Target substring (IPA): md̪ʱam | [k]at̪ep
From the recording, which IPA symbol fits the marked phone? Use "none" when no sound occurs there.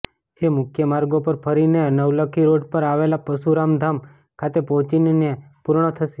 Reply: kʰ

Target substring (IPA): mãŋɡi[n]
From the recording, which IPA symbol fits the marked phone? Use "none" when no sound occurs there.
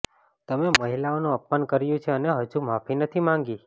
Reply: none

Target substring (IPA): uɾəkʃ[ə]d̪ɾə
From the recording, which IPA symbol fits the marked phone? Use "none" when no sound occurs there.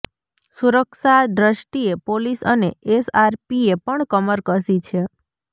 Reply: a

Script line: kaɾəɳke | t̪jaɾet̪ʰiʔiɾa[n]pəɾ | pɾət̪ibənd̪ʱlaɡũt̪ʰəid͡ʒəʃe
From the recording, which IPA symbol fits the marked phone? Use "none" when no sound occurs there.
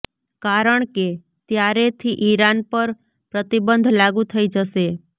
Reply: n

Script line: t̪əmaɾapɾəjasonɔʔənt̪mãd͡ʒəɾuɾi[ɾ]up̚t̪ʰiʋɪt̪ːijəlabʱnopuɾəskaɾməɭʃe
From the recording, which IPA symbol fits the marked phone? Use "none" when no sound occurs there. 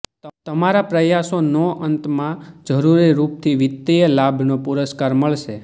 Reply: ɾ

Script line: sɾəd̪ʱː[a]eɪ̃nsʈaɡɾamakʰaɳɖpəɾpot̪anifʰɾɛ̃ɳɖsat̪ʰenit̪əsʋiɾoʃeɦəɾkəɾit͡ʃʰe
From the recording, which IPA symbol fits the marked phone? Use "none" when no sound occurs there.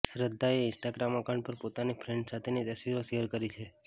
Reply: a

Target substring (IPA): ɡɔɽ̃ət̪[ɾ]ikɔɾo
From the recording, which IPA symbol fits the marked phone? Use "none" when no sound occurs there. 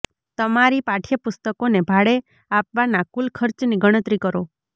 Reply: ɾ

